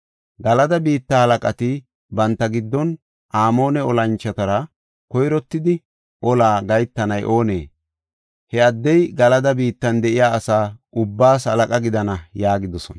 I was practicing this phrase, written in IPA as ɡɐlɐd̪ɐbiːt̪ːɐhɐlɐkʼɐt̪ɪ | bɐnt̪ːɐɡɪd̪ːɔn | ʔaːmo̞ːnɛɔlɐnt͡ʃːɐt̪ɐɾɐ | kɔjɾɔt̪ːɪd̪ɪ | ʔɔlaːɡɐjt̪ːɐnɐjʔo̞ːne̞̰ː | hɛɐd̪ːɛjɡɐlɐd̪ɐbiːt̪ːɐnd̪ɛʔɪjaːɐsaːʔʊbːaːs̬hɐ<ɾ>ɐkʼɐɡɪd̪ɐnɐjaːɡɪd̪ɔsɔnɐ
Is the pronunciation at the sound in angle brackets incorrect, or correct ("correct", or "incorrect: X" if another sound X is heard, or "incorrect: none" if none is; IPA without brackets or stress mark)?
incorrect: l